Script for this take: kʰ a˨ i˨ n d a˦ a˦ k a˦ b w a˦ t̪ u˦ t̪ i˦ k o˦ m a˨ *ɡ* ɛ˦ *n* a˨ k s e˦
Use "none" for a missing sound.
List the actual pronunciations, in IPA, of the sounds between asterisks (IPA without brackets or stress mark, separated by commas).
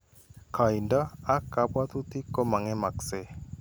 ŋ, m